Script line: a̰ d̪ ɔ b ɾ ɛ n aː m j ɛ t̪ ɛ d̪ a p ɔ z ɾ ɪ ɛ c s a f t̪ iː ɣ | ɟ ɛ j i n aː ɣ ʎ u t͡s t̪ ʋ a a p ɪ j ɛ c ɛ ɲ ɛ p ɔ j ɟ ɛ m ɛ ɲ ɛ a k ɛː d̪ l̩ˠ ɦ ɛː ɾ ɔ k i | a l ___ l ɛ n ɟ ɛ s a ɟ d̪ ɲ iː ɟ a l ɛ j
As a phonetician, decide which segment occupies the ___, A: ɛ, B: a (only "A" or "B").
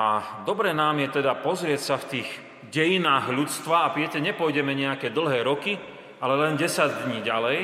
A